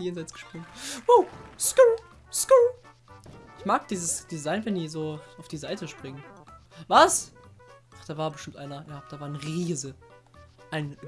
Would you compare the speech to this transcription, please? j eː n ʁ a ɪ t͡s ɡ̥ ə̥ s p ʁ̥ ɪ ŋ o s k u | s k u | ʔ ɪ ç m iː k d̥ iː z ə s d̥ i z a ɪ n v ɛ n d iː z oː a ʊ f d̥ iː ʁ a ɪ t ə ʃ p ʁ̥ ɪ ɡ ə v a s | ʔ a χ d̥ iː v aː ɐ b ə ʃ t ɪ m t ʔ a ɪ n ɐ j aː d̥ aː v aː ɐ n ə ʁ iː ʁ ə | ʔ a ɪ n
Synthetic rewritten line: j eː n z a ɪ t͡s ɡ̥ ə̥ ʃ p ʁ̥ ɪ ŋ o s k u | s k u | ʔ ɪ ç m aː k d̥ iː z ə s d̥ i z a ɪ n v ɛ n d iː z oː a ʊ f d̥ iː z a ɪ t ə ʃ p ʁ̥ ɪ ŋ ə v a s | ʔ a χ d̥ aː v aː ɐ b ə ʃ t ɪ m t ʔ a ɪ n ɐ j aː d̥ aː v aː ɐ n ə ʁ iː z ə | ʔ a ɪ n